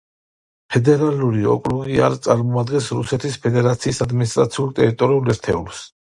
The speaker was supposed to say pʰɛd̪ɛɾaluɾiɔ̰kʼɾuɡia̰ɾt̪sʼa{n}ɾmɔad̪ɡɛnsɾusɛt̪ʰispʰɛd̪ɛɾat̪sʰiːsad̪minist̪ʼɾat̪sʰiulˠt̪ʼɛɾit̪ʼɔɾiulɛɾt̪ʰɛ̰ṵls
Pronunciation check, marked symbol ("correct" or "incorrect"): incorrect